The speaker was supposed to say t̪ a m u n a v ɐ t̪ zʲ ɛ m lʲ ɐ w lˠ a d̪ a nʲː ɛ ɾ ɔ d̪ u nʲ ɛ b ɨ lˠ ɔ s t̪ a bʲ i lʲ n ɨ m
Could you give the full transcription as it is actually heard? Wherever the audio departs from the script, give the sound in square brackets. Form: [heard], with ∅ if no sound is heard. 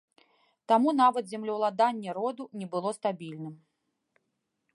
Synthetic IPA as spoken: t̪ a m u n a v ɐ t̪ zʲ ɛ m lʲ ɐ w lˠ a d̪ a nʲː ɛ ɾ ɔ d̪ u nʲ ɛ b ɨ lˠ ɔ s t̪ a bʲ i lʲ n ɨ m